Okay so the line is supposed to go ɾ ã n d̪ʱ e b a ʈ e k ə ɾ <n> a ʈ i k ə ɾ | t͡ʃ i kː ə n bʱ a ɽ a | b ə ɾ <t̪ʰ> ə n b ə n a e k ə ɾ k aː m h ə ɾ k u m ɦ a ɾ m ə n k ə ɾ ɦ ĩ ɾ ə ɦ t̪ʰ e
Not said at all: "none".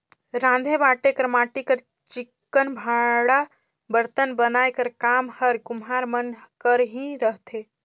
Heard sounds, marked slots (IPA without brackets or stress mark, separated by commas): m, t̪